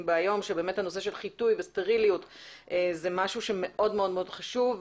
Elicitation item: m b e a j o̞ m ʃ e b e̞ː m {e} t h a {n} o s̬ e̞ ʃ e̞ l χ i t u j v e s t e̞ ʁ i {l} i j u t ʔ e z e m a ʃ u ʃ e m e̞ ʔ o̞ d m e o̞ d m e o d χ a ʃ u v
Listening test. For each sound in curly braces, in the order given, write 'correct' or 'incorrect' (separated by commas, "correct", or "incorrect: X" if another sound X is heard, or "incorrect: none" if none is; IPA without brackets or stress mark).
correct, correct, correct